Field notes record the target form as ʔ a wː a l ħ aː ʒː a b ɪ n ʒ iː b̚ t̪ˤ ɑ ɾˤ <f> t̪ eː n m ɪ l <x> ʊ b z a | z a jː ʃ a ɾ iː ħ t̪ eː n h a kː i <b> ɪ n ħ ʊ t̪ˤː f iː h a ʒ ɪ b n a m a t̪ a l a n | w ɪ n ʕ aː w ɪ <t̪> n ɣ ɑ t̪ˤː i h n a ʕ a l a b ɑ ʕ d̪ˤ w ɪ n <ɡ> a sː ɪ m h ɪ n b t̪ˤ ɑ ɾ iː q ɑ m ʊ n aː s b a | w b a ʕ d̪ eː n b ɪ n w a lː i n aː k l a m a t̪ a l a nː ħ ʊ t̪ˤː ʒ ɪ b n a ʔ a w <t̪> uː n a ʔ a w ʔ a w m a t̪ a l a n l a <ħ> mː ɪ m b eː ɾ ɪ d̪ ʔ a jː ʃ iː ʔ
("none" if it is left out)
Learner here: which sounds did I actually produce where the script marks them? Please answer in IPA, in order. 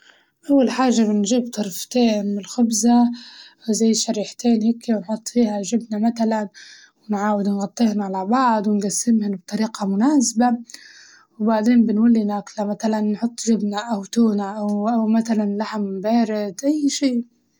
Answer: f, x, w, d̪, ɡ, t̪, ħ

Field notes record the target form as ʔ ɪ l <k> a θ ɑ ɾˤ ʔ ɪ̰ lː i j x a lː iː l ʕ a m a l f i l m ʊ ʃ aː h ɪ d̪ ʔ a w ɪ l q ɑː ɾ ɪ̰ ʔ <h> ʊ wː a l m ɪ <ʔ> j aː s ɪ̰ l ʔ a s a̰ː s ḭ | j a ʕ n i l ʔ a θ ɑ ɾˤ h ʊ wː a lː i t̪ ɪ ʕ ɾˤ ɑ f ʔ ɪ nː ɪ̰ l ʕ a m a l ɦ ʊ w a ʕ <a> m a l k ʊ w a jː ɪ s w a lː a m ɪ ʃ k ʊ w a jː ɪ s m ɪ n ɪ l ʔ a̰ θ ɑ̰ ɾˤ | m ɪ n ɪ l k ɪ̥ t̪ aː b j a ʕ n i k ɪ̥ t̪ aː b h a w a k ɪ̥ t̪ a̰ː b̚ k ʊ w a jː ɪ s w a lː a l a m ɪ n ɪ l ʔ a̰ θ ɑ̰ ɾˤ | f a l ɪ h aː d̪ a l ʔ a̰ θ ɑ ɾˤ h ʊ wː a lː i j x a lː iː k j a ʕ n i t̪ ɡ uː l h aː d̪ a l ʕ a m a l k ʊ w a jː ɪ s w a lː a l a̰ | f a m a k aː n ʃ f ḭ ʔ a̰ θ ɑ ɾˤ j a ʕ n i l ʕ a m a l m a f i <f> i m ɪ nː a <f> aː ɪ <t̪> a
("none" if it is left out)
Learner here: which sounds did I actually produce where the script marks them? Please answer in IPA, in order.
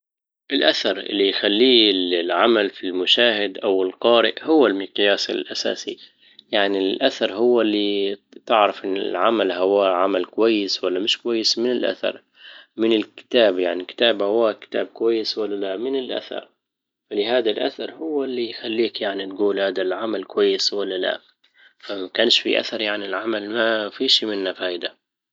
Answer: ʔ, h, q, a, ʃ, f, d̪

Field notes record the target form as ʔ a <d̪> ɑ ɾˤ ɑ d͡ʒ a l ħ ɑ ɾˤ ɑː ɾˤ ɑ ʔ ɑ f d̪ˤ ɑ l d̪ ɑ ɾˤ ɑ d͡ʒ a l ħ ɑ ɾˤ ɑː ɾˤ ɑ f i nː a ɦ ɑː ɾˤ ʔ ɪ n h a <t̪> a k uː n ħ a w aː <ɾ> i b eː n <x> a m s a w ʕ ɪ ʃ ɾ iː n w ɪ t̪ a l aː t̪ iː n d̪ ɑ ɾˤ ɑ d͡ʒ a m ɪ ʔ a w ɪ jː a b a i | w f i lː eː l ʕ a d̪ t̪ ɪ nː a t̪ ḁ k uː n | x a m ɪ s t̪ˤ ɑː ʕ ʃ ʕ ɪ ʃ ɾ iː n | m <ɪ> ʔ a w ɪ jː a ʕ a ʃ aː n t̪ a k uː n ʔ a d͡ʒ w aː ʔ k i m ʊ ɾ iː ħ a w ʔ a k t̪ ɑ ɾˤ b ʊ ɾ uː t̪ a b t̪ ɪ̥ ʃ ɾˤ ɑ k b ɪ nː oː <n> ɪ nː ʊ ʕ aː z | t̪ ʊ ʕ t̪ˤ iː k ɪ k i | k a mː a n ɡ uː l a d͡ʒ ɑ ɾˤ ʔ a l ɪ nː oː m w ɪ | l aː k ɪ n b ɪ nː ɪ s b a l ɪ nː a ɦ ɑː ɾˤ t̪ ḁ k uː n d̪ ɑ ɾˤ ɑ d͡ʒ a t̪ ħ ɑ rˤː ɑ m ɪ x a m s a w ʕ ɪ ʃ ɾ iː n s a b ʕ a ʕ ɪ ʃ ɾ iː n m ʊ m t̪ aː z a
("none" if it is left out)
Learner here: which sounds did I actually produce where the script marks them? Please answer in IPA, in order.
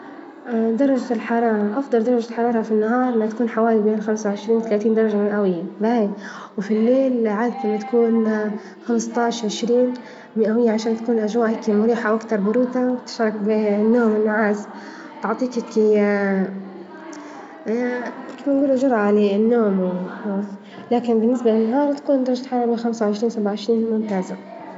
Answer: d̪, t̪, l, x, ɪ, m

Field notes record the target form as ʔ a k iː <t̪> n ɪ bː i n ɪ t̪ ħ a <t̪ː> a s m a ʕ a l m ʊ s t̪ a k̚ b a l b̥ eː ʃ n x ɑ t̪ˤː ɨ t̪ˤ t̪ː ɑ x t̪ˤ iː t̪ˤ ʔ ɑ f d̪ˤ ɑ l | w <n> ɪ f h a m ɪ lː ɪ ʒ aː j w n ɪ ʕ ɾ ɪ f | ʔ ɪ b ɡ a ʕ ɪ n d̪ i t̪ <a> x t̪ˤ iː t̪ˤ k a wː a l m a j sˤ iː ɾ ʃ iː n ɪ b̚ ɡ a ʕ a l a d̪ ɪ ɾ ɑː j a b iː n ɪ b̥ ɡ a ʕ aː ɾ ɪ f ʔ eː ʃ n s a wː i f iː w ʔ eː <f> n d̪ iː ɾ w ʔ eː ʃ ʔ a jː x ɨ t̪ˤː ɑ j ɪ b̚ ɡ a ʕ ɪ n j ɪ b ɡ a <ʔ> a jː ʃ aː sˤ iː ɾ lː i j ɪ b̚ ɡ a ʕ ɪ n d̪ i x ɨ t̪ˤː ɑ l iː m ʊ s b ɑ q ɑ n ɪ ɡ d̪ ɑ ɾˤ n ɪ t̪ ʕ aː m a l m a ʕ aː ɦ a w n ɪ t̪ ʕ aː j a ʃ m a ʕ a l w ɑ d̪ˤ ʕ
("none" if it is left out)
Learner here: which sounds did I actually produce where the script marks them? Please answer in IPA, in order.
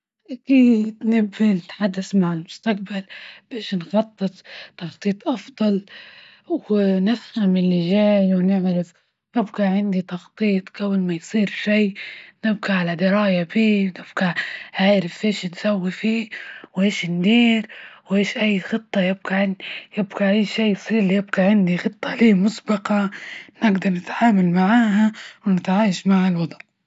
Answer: d̪, d̪ː, n, ɑ, ʃ, ʔ

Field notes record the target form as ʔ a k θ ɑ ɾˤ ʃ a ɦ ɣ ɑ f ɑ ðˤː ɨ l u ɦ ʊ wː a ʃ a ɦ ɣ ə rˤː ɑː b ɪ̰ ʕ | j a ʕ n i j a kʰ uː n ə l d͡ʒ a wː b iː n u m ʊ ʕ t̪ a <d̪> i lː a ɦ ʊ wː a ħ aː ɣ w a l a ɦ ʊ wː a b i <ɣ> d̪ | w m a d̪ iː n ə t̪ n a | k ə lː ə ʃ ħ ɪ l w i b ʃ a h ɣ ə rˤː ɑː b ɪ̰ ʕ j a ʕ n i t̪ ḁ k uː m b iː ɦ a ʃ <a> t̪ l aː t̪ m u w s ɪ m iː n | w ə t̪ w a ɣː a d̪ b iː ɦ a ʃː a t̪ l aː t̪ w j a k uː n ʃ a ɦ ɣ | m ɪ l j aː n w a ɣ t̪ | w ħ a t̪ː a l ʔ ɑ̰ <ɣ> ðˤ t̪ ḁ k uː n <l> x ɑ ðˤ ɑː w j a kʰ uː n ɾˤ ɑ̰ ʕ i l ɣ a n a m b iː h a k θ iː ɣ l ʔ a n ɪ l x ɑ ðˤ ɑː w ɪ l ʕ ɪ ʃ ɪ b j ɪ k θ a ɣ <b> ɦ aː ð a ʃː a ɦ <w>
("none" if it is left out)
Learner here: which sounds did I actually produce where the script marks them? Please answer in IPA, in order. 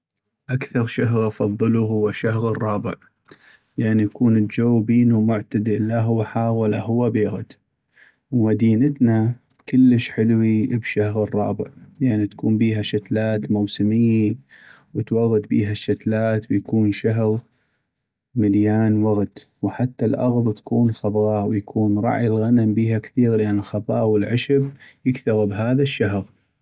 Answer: d̪, ɣ, a, ɣ, l, b, ɣ

